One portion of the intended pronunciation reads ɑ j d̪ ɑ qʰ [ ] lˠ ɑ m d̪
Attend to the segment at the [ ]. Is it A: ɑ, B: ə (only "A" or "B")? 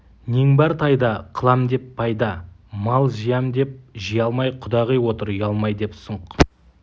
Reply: B